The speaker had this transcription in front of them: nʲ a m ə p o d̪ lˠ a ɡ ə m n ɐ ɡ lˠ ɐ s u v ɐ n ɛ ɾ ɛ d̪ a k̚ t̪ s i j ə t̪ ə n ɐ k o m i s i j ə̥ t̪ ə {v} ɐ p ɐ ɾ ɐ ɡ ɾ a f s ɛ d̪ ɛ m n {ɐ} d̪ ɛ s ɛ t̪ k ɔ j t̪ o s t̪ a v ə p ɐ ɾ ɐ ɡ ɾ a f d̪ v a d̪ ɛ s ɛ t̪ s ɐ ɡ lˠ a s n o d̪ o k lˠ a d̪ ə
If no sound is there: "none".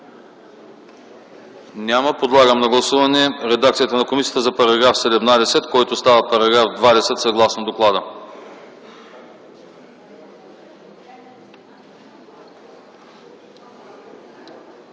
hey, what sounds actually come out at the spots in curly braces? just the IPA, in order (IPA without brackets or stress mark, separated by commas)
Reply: z, a